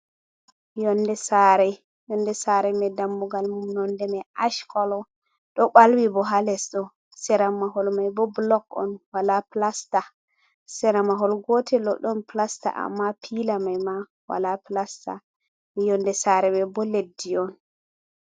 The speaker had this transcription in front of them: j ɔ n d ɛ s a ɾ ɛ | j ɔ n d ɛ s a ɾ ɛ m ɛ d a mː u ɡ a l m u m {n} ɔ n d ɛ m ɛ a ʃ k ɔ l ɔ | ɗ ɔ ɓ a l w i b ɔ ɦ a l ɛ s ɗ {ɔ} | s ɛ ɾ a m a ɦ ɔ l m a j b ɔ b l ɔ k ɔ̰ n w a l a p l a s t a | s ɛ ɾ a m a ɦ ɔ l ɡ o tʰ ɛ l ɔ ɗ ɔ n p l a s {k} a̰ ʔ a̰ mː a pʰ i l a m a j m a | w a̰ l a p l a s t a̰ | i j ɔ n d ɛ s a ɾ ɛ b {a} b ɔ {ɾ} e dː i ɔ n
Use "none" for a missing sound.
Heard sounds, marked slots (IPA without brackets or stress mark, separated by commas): n, ɔ, t, ɛ, l